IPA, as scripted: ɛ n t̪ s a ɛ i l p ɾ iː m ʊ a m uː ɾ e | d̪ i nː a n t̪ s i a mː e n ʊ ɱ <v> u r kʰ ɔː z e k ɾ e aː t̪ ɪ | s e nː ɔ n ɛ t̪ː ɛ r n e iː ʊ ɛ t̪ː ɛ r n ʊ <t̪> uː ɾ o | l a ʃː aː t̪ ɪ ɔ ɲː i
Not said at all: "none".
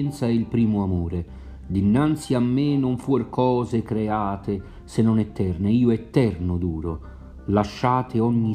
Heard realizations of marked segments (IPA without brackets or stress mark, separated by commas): f, d̪